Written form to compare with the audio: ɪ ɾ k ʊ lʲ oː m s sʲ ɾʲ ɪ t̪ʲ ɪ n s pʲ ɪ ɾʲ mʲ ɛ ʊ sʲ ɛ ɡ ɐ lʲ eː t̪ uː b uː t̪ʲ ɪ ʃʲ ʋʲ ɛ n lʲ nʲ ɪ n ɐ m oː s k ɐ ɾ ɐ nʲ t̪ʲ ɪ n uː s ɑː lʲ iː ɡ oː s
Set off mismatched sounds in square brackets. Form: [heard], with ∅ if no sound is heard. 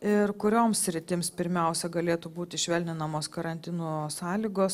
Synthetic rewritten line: ɪ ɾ k ʊ [ɾʲ] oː m s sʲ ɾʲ ɪ t̪ʲ ɪ [m] s pʲ ɪ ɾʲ mʲ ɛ ʊ sʲ ɛ ɡ ɐ lʲ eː t̪ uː b uː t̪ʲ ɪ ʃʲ ʋʲ ɛ [∅] lʲ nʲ ɪ n ɐ m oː s k ɐ ɾ ɐ nʲ t̪ʲ ɪ n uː s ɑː lʲ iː ɡ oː s